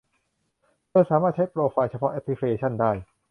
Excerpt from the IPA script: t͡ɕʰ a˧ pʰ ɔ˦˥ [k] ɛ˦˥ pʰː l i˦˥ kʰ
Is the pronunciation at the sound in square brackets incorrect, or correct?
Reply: incorrect